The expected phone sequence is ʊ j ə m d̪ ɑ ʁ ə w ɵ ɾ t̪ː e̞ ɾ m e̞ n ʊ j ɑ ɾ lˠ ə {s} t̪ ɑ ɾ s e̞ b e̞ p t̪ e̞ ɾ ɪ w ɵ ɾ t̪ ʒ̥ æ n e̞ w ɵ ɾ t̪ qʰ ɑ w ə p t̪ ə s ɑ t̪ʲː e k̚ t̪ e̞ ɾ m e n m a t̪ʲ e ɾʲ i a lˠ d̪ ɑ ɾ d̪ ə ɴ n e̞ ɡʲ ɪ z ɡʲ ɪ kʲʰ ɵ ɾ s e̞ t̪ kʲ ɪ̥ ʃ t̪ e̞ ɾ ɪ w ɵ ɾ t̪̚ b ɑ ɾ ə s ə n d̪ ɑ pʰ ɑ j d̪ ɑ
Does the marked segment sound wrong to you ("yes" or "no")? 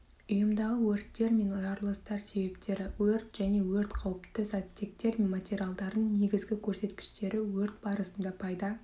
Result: no